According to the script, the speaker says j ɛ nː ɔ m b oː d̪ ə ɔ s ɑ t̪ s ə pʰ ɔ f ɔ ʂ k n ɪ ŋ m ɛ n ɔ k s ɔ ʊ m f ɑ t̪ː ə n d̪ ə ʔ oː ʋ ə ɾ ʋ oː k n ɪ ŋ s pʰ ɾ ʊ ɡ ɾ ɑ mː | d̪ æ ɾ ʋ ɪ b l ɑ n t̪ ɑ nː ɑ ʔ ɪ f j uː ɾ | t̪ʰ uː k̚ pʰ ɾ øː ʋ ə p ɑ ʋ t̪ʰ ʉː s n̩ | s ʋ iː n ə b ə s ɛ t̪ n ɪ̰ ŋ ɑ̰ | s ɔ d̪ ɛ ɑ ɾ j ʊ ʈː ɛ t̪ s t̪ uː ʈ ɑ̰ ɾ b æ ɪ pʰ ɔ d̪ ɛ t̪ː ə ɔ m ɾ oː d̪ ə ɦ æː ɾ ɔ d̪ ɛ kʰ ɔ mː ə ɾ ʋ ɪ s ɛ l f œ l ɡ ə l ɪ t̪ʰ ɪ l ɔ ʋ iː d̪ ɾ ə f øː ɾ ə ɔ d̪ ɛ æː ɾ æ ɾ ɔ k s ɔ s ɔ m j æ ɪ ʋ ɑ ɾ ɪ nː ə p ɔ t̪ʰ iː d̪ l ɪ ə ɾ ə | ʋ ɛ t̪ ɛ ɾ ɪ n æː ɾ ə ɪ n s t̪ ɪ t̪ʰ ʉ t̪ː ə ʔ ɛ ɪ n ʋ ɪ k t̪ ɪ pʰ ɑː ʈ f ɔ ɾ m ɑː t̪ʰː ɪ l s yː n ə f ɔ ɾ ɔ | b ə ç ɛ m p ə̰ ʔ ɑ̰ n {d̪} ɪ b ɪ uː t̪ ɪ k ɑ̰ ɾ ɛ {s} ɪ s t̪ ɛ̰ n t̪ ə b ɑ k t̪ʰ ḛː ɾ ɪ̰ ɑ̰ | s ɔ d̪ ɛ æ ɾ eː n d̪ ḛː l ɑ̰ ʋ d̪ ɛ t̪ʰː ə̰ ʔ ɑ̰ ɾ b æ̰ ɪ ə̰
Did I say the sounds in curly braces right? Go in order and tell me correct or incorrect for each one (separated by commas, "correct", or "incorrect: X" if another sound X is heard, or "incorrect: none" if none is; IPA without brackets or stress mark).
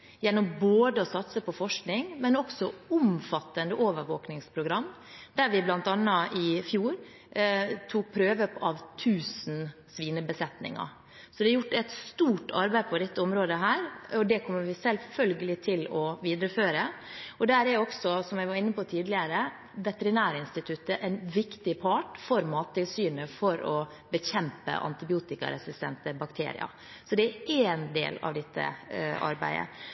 incorrect: t̪, correct